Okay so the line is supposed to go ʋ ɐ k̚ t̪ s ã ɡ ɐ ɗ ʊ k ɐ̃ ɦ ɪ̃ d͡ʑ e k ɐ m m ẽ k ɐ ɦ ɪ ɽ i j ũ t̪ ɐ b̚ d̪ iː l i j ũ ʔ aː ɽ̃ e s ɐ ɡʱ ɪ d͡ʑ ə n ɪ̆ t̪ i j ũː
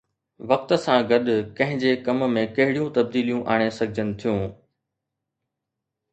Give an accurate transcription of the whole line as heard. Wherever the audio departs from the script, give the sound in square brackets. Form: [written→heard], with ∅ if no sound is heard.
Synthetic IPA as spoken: ʋ ɐ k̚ t̪ s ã ɡ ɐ ɗ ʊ k ɐ̃ ɦ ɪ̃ d͡ʑ e k ɐ m m ẽ k ɐ ɦ ɪ ɽ i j ũ t̪ ɐ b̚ d̪ iː l i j ũ ʔ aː ɽ̃ e s ɐ ɡʱ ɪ d͡ʑ ə n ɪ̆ [t̪→t̪ʰ] i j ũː